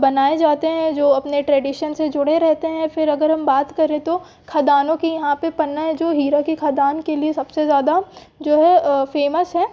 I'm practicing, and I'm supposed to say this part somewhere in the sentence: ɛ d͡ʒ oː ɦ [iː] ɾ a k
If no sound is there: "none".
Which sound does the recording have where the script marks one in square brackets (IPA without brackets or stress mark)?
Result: iː